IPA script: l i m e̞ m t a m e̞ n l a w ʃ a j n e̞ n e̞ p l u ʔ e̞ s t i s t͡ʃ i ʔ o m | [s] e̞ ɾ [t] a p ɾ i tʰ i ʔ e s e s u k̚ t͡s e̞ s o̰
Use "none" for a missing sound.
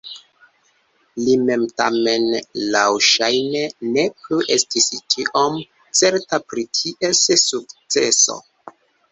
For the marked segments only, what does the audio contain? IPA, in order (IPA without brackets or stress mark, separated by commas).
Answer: t͡s, t